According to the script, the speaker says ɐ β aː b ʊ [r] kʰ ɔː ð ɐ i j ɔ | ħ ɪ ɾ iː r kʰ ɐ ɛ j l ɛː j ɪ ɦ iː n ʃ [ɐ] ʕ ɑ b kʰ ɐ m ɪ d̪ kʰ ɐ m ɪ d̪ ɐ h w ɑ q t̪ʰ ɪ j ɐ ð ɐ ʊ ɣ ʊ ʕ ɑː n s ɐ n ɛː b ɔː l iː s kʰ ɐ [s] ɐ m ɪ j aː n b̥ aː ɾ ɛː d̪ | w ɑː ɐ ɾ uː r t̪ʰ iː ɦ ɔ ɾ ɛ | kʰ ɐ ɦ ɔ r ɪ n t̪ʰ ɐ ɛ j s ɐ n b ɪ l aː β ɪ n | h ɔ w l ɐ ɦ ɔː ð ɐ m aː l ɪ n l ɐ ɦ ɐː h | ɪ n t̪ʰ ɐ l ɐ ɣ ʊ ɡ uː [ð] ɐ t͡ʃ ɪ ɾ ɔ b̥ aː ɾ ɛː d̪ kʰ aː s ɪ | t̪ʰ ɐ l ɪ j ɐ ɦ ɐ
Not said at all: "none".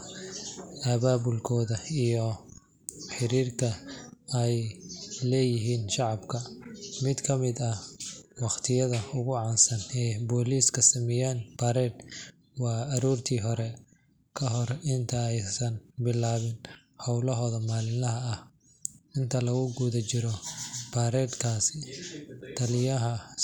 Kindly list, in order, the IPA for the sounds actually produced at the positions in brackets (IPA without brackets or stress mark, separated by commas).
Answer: l, ɑ, s, ð